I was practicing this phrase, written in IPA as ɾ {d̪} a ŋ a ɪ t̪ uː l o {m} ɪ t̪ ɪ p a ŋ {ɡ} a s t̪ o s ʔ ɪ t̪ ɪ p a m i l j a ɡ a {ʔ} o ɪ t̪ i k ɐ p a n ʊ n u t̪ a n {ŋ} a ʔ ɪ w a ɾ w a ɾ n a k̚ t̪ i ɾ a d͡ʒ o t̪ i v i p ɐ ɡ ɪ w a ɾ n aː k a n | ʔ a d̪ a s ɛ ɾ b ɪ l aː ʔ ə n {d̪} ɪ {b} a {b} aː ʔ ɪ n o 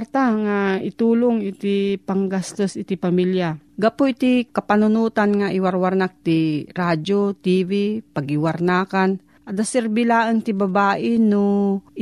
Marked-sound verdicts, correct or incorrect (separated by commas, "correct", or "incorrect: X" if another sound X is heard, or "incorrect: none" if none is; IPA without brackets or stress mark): incorrect: t̪, incorrect: ŋ, correct, incorrect: p, correct, incorrect: t̪, correct, correct